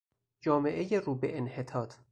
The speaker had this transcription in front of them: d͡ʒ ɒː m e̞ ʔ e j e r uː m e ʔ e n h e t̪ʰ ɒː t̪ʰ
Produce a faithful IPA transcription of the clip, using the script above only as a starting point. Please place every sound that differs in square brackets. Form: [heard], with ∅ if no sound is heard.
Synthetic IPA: d͡ʒ ɒː m e̞ ʔ e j e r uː [b] e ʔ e n h e t̪ʰ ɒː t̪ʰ